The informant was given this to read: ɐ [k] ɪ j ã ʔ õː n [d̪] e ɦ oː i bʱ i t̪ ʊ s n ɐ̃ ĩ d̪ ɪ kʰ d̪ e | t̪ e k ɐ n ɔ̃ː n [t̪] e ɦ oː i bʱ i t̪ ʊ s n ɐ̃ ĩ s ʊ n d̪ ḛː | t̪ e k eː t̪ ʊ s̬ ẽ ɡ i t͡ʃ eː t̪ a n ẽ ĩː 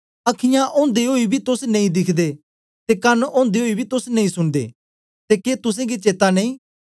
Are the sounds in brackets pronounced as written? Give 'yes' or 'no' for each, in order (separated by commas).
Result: no, yes, no